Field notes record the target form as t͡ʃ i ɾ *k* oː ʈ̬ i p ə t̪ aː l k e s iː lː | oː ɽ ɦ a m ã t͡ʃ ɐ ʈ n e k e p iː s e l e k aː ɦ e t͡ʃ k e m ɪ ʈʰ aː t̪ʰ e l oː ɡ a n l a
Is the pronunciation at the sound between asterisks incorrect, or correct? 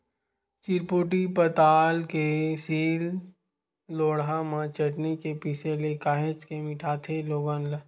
incorrect